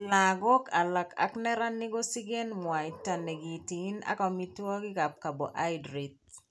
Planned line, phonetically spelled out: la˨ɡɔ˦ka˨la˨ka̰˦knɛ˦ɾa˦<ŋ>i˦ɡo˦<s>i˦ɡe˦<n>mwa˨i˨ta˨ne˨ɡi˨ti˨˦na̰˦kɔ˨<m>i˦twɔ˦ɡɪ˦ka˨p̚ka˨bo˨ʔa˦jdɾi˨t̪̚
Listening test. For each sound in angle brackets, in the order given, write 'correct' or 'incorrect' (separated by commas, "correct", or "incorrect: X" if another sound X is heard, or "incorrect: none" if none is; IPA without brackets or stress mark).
incorrect: n, correct, correct, correct